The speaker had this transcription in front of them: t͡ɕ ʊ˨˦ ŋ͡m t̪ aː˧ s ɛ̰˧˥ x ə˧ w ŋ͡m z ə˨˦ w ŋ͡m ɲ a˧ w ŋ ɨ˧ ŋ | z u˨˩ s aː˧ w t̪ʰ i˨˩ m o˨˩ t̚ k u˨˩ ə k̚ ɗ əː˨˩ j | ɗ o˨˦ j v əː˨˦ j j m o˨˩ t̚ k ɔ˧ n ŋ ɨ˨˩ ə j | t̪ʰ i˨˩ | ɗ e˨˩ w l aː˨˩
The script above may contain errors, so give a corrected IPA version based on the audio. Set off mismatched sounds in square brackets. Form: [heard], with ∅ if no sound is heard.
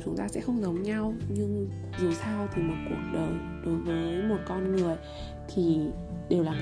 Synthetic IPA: t͡ɕ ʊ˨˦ ŋ͡m t̪ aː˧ s ɛ̰˧˥ x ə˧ w ŋ͡m z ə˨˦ w ŋ͡m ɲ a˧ w [ɲ] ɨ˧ ŋ | z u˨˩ s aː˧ w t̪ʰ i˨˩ m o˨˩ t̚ k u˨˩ ə k̚ ɗ əː˨˩ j | ɗ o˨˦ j v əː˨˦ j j m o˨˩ t̚ k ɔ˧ n ŋ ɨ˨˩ ə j | t̪ʰ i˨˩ | ɗ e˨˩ w l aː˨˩